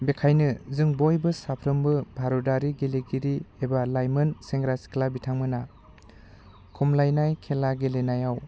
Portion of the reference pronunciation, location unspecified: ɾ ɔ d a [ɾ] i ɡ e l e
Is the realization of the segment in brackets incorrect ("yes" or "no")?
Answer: no